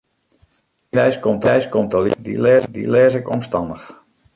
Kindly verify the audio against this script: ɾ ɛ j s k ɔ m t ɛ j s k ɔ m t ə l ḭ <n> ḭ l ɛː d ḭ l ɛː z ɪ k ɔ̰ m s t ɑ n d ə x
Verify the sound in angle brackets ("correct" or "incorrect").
incorrect